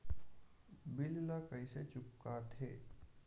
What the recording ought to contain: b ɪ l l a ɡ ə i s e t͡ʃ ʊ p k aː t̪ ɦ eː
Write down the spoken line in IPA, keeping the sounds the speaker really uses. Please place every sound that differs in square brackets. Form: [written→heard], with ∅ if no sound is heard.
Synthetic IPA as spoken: b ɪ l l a [ɡ→k] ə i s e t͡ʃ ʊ p k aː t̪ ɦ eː